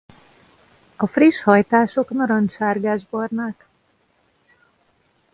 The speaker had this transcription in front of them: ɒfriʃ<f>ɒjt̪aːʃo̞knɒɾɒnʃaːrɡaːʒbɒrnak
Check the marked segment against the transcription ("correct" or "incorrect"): incorrect